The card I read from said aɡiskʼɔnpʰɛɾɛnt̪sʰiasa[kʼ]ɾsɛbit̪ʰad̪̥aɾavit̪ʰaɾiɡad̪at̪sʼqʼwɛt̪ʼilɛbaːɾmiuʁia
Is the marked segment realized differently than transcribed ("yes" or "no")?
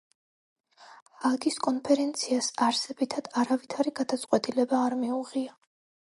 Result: yes